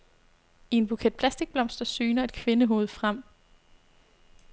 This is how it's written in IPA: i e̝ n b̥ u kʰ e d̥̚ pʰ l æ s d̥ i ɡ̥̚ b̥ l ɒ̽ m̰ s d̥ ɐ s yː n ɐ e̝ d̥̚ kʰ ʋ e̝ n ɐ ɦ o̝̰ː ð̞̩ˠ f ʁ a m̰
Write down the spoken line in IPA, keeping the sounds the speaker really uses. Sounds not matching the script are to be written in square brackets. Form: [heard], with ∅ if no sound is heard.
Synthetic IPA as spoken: i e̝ n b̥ u kʰ e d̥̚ pʰ l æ s d̥ i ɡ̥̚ b̥ l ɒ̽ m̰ s d̥ ɐ s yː n ɐ e̝ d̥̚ kʰ ʋ e̝ n [ə] ɦ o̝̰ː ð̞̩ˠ f ʁ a m̰